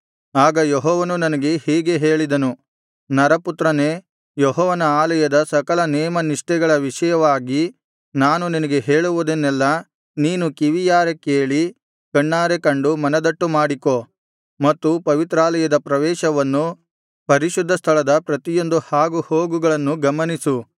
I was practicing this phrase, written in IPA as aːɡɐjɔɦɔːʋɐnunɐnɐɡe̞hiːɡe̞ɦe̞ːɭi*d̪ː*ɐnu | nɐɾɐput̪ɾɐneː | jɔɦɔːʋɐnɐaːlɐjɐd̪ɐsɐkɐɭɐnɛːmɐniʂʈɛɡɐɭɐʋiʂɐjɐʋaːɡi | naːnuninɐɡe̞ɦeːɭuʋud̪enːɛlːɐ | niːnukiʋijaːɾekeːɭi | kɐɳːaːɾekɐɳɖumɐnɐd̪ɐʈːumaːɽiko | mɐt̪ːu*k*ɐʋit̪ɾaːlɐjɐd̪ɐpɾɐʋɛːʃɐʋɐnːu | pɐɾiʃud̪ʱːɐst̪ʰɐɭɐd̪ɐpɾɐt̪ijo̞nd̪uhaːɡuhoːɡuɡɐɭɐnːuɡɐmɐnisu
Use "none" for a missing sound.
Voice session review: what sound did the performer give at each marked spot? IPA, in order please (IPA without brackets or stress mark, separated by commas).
d̪, p